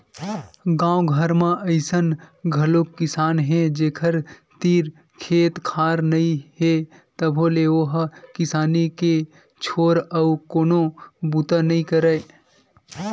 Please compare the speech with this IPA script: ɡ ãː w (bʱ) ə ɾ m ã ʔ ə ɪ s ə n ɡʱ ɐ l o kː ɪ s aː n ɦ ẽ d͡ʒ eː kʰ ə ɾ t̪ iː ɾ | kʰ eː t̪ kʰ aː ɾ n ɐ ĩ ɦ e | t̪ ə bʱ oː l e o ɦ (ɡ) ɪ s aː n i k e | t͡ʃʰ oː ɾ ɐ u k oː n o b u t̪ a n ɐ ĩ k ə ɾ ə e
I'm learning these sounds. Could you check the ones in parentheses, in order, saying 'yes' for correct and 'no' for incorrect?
no, no

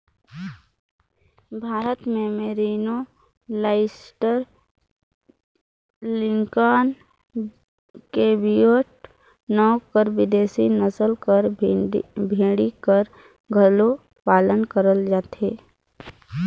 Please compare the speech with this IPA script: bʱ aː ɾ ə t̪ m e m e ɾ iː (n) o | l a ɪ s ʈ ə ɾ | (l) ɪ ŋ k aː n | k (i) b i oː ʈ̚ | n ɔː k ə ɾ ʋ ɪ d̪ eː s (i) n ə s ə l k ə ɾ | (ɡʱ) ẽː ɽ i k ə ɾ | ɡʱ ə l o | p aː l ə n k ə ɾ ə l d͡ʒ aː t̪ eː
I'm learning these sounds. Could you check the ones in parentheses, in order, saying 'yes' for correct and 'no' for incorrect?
yes, yes, no, yes, no

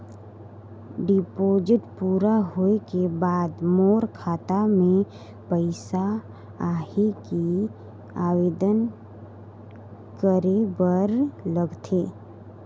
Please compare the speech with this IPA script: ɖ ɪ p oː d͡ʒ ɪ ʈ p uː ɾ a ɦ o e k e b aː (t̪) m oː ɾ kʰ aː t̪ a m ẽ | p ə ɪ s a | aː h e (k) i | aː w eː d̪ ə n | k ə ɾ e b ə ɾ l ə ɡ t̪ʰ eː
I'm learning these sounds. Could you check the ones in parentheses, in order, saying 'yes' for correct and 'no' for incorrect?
no, yes

